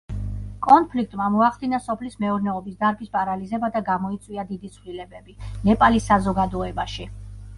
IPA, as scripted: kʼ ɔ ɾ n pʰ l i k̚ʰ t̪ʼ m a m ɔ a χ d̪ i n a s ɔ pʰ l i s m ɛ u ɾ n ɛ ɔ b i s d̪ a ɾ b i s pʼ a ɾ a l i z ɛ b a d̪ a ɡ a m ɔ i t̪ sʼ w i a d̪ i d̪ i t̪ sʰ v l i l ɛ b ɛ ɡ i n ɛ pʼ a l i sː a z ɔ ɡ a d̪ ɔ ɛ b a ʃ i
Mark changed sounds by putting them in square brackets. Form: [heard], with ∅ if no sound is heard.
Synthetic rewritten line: kʼ ɔ [∅] n pʰ l i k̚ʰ t̪ʼ m a m ɔ a χ d̪ i n a s ɔ pʰ l i s m ɛ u ɾ n ɛ ɔ b i s d̪ a ɾ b i s pʼ a ɾ a l i z ɛ b a d̪ a ɡ a m ɔ i t̪ sʼ w i a d̪ i d̪ i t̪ sʰ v l i l ɛ b ɛ [b] i n ɛ pʼ a l i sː a z ɔ ɡ a d̪ ɔ ɛ b a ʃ i